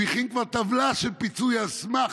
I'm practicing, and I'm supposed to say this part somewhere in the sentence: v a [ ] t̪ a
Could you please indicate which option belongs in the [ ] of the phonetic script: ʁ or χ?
ʁ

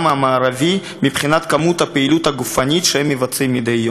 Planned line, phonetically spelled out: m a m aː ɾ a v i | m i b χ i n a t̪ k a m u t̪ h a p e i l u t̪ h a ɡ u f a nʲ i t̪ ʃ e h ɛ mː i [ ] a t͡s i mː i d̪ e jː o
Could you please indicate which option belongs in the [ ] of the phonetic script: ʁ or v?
v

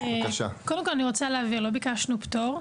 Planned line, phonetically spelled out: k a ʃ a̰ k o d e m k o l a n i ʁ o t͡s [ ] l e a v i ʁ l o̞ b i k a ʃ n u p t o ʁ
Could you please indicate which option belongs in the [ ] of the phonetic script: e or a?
a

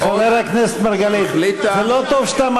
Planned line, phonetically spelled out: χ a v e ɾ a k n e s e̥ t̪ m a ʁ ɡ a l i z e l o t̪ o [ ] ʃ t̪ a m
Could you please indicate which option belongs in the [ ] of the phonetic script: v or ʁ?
v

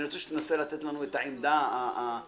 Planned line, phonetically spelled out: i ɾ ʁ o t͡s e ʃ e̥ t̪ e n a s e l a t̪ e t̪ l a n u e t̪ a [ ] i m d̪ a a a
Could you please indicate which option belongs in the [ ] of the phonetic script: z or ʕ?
ʕ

